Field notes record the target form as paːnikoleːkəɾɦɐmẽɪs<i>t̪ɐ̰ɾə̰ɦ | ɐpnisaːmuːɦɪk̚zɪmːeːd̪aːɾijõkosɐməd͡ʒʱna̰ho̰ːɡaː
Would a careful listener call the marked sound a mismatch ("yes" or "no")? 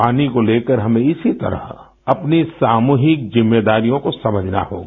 no